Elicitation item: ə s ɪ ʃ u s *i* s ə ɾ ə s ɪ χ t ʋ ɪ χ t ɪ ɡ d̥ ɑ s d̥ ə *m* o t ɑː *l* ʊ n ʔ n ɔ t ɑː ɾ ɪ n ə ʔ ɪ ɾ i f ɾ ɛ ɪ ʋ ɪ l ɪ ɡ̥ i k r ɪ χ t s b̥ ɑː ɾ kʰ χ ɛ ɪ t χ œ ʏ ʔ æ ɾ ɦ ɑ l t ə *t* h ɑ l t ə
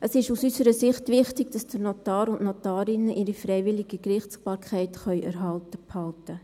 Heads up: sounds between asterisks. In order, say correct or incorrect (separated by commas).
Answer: incorrect, incorrect, incorrect, incorrect